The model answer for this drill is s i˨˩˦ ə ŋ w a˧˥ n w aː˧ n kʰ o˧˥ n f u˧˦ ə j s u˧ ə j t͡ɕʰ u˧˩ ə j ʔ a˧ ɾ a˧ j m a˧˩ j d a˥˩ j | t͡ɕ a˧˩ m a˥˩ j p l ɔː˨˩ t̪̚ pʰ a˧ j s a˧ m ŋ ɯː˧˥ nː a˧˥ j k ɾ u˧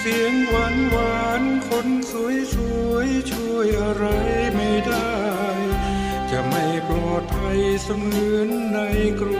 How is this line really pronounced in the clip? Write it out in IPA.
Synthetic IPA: s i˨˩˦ ə ŋ w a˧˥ n w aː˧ n kʰ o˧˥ n s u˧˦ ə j s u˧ ə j t͡ɕʰ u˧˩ ə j ʔ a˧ ɾ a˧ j m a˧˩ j d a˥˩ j | t͡ɕ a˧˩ m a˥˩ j p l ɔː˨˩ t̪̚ pʰ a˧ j s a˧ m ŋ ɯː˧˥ nː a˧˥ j k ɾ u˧